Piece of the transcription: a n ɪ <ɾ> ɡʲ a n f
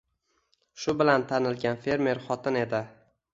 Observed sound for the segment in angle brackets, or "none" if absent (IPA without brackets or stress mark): l